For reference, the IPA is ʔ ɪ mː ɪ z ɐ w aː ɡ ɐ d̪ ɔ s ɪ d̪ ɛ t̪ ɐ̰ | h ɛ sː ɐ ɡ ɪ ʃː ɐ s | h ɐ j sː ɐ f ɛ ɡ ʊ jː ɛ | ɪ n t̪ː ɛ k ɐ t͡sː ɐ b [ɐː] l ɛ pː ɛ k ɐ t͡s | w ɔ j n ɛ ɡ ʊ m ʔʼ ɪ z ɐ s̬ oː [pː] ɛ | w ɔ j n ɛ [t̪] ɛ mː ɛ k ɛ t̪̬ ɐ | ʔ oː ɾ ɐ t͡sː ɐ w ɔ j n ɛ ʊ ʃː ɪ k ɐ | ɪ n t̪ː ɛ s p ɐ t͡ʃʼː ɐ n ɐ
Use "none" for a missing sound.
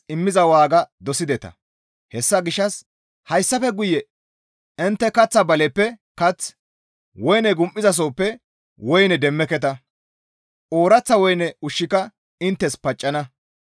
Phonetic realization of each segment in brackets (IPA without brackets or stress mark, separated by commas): ɐ, pː, d̪